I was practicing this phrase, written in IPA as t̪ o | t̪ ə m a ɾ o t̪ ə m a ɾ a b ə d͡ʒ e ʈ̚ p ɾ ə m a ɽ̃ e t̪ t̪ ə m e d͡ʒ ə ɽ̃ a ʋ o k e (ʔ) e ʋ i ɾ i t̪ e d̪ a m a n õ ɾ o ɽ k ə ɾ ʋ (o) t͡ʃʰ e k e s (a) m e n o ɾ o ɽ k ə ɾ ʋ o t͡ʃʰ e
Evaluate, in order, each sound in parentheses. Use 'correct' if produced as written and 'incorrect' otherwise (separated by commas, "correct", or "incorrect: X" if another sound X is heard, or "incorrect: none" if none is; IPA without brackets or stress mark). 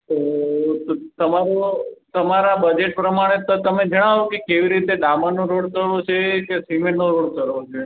incorrect: k, correct, incorrect: i